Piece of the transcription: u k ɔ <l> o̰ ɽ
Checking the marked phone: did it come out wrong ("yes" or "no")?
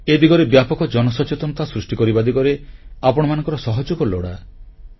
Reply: no